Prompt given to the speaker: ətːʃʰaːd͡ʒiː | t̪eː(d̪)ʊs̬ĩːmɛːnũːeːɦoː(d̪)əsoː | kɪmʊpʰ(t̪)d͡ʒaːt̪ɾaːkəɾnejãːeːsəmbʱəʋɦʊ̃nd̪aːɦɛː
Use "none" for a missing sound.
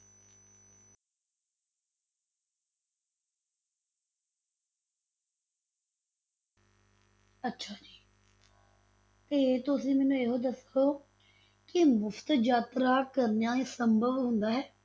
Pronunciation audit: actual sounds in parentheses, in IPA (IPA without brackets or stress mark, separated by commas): t̪, d̪, t̪